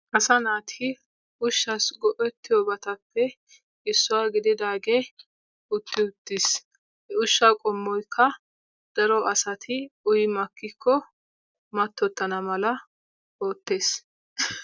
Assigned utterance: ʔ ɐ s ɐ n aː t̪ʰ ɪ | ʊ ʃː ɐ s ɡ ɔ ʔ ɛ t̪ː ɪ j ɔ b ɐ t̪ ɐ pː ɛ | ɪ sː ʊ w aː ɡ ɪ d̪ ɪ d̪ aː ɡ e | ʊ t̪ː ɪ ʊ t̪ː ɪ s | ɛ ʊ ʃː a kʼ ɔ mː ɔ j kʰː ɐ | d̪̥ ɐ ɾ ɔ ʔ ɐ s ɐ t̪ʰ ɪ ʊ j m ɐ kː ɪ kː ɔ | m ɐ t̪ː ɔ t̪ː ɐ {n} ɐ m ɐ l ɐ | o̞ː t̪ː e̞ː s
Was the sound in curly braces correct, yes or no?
yes